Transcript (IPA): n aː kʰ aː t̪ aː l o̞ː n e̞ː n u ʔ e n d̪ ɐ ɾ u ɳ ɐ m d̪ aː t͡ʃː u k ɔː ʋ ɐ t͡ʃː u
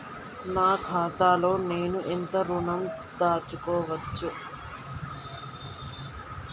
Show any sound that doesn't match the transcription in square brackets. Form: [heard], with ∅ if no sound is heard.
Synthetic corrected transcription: n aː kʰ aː t̪ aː l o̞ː n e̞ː n u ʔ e n [t̪] ɐ ɾ u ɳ ɐ m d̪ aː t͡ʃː u k ɔː ʋ ɐ t͡ʃː u